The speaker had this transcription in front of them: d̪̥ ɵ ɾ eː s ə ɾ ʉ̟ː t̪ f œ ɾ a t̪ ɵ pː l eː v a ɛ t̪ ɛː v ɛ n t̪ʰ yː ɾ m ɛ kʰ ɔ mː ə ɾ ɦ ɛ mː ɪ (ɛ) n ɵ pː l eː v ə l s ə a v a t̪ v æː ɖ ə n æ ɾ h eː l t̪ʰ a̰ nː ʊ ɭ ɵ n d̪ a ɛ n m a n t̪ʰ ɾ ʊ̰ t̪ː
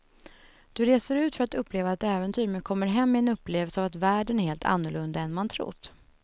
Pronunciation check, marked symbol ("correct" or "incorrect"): correct